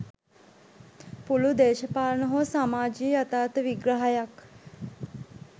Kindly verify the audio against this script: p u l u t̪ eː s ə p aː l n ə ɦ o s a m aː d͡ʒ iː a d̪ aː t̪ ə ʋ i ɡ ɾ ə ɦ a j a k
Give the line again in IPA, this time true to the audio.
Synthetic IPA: p u l u d̪ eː ʃ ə p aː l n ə ɦ o s a m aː d͡ʒ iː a t̪ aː t̪ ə ʋ i ɡ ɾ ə ɦ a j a k